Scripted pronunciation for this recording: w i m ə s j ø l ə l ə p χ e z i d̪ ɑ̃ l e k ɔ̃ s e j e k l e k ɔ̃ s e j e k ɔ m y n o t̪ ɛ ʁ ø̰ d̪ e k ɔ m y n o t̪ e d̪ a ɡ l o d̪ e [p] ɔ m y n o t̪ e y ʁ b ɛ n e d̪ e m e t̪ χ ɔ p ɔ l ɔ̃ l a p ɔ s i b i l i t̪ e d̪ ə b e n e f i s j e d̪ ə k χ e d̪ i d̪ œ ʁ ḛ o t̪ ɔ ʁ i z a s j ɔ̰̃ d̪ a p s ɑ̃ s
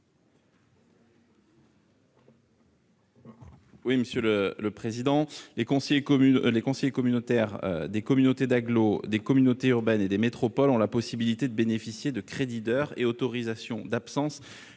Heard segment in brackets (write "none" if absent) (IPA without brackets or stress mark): k